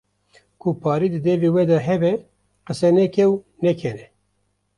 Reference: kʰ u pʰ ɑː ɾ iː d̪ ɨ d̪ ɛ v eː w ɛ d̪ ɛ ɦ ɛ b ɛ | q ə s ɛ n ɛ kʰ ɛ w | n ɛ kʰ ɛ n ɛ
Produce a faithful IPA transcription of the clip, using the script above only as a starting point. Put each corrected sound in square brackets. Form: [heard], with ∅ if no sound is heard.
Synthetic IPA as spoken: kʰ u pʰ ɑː ɾ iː d̪ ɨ d̪ ɛ v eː w ɛ d̪ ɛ ɦ ɛ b ɛ | q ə s ɛ n ɛ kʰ ɛ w | n ɛ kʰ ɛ n ɛ